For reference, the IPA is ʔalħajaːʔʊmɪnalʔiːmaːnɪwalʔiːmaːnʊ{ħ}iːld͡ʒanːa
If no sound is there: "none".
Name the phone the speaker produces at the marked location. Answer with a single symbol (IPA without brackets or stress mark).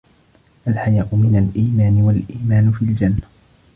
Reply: f